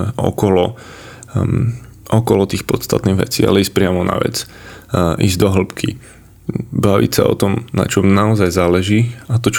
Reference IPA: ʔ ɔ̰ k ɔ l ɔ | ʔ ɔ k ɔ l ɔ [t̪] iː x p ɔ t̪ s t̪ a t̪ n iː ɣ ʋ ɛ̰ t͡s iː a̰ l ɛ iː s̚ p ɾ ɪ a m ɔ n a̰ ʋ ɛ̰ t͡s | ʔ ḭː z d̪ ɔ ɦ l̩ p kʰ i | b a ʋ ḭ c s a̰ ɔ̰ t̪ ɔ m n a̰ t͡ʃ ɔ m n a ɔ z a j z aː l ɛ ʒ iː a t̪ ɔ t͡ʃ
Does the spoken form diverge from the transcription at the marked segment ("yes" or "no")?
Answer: no